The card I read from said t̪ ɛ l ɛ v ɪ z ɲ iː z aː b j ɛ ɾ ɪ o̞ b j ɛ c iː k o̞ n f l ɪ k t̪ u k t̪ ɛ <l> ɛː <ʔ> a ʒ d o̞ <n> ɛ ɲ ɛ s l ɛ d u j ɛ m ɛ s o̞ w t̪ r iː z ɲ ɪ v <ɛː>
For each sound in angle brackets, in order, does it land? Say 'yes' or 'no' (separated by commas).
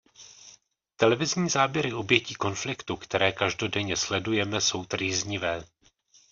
no, no, no, yes